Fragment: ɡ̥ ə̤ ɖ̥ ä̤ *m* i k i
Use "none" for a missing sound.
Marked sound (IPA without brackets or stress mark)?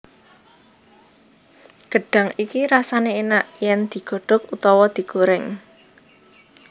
ŋ